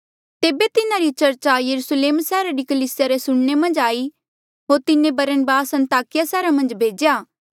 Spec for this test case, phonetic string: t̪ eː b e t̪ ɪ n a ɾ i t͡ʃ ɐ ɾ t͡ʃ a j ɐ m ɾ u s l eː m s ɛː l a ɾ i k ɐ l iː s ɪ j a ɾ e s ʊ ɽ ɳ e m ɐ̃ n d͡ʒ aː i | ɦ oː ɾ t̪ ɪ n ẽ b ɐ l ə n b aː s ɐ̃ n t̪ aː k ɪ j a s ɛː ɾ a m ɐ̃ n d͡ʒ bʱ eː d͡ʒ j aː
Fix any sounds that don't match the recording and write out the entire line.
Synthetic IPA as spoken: t̪ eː b e t̪ ɪ n a ɾ i t͡ʃ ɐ ɾ t͡ʃ a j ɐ ɾ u s l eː m s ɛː ɾ a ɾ i k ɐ l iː s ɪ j a ɾ e s ʊ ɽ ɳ e m ɐ̃ n d͡ʒ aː i | ɦ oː ɾ t̪ ɪ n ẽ b ɐ ɾ ə n b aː s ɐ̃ n t̪ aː k ɪ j a s ɛː ɾ a m ɐ̃ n d͡ʒ bʱ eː d͡ʒ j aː

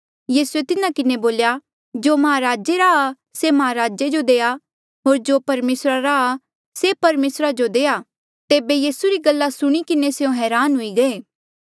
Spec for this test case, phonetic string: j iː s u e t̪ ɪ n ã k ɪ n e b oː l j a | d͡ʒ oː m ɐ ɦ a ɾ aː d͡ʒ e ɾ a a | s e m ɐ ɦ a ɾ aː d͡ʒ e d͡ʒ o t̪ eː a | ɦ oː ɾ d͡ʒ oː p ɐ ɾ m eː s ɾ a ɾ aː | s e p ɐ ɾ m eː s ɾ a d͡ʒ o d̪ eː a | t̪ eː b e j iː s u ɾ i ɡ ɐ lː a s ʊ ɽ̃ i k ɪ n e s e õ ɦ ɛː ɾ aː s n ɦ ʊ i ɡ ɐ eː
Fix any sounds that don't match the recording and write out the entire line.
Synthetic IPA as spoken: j iː s u e t̪ ɪ n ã k ɪ n e b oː l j a | d͡ʒ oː m ɐ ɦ a ɾ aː d͡ʒ e ɾ a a | s e m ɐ ɦ a ɾ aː d͡ʒ e d͡ʒ o d̪ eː a | ɦ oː ɾ d͡ʒ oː p ɐ ɾ m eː s ɾ a ɾ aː | s e p ɐ ɾ m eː s ɾ a d͡ʒ o d̪ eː a | t̪ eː b e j iː s u ɾ i ɡ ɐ lː a s ʊ ɽ̃ i k ɪ n e s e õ ɦ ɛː ɾ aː n ɦ ʊ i ɡ ɐ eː

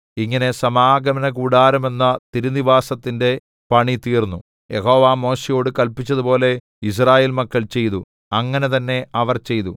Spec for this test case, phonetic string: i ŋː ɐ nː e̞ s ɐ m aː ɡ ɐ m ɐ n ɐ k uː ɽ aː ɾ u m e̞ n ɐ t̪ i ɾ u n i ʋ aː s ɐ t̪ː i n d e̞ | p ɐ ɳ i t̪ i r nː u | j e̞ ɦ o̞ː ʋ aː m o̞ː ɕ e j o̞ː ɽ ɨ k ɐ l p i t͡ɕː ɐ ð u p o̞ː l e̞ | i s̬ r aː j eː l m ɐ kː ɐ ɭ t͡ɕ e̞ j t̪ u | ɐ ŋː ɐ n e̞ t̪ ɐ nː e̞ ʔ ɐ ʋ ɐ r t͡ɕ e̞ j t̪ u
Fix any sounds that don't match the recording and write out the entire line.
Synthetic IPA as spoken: i ŋː ɐ n e̞ s ɐ m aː ɡ ɐ m ɐ n ɐ k uː ɽ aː ɾ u m e̞ nː ɐ t̪ i ɾ u n i ʋ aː s ɐ t̪ː i n d e̞ | p ɐ ɳ i t̪ iː r nː u | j e̞ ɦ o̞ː ʋ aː m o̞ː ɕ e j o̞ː ɽ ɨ k ɐ l p i t͡ɕː ɐ ð u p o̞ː l e̞ | i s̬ r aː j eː l m ɐ kː ɐ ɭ t͡ɕ e̞ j t̪ u | ɐ ŋː ɐ n e̞ t̪ ɐ nː e̞ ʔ ɐ ʋ ɐ r t͡ɕ e̞ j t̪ u

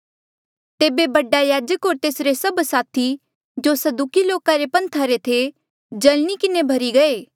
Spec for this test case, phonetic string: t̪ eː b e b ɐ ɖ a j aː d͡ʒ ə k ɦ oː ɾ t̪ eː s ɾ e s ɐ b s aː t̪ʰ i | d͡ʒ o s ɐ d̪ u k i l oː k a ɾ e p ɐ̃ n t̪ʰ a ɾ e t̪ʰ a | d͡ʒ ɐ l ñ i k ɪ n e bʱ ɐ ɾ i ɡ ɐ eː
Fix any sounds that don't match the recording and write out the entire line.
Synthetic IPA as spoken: t̪ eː b e b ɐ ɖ a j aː d͡ʒ ə k ɦ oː ɾ t̪ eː s ɾ e s ɐ b s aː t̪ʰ i | d͡ʒ o s ɐ d̪ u k i l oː k a ɾ e p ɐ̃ n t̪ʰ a ɾ e t̪ʰ e | d͡ʒ ɐ l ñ i k ɪ n e bʱ ɐ ɾ i ɡ ɐ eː

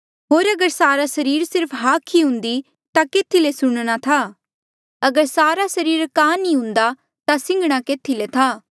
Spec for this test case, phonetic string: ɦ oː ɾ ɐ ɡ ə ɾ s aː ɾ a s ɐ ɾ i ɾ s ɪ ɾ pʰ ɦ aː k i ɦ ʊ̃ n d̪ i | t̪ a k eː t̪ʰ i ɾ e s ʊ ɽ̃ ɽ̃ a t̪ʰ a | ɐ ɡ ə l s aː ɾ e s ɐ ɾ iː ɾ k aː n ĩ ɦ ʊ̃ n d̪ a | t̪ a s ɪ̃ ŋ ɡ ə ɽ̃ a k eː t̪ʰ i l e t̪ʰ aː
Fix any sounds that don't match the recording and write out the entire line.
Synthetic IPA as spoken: ɦ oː ɾ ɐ ɡ ə ɾ s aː ɾ a s ɐ ɾ iː ɾ s ɪ ɾ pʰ ɦ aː kʰ i ɦ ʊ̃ n d̪ i | t̪ a k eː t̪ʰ i l e s ʊ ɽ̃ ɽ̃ a t̪ʰ a | ɐ ɡ ə ɾ s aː ɾ a s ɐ ɾ iː ɾ k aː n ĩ ɦ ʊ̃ n d̪ a | t̪ a s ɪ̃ ŋ ɡ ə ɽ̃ a k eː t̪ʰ i l e t̪ʰ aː

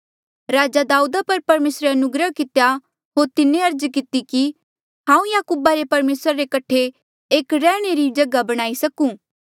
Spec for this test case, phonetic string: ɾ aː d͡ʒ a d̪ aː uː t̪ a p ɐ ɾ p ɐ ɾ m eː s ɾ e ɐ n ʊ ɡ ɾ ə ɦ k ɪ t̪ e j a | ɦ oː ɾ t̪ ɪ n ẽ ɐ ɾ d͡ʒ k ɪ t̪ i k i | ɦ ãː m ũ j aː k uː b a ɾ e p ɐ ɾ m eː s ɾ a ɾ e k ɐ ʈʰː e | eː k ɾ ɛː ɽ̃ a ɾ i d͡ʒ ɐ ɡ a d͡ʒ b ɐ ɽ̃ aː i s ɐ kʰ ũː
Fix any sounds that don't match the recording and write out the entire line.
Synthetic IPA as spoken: ɾ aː d͡ʒ a d̪ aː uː d̪ a p ɐ ɾ p ɐ ɾ m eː s ɾ e ɐ n ʊ ɡ ɾ ə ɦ k ɪ t̪ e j a | ɦ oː ɾ t̪ ɪ n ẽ ɐ ɾ d͡ʒ k ɪ t̪ i k i | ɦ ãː ũ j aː k uː b a ɾ e p ɐ ɾ m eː s ɾ a ɾ e k ɐ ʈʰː e | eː k ɾ ɛː ɽ̃ e ɾ i d͡ʒ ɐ ɡ a b ɐ ɽ̃ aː i s ɐ k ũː

